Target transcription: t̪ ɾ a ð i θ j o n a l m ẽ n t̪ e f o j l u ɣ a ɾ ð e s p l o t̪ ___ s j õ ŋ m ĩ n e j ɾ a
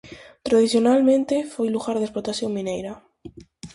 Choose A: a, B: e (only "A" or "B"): A